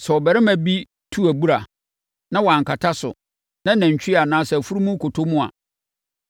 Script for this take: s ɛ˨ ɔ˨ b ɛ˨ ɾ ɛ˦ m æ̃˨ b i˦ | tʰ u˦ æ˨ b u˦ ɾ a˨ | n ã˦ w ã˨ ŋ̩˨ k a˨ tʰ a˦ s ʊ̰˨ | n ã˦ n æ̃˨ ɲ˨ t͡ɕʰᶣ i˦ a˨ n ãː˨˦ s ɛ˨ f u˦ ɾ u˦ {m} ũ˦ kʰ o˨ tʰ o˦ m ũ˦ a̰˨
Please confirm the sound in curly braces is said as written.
yes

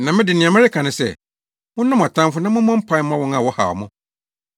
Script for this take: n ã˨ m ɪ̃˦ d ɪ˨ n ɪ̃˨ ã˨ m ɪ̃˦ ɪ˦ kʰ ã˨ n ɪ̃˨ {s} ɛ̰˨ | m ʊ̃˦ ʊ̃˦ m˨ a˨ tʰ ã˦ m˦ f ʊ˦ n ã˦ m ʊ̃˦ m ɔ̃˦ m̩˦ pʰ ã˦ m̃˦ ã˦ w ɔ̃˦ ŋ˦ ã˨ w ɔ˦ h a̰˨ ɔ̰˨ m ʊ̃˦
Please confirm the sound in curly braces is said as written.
yes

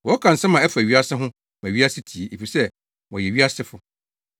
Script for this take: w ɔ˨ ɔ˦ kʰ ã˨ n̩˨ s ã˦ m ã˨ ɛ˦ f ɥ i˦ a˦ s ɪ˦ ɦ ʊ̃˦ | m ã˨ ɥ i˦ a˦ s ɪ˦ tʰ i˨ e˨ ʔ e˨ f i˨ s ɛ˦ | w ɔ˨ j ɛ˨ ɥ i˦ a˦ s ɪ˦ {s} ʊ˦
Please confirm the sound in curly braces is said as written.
no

